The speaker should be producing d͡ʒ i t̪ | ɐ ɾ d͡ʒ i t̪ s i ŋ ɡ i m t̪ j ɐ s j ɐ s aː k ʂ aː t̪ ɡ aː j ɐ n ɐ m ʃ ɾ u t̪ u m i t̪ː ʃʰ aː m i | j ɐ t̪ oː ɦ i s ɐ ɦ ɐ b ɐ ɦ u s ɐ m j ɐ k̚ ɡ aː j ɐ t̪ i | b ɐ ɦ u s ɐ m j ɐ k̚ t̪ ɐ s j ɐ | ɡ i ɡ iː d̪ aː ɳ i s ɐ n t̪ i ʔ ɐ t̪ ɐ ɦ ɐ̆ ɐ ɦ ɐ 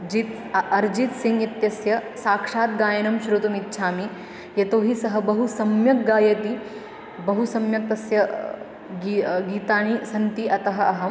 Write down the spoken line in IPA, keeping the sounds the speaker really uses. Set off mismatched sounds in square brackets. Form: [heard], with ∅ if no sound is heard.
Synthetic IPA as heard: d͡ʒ i t̪ | ɐ ɾ d͡ʒ i t̪ s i ŋ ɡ i [∅] t̪ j ɐ s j ɐ s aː k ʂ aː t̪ ɡ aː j ɐ n ɐ m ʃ ɾ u t̪ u m i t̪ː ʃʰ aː m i | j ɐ t̪ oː ɦ i s ɐ ɦ ɐ b ɐ ɦ u s ɐ m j ɐ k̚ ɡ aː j ɐ t̪ i | b ɐ ɦ u s ɐ m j ɐ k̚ t̪ ɐ s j ɐ | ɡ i ɡ iː [t̪] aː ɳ i s ɐ n t̪ i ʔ ɐ t̪ ɐ ɦ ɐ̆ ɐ ɦ ɐ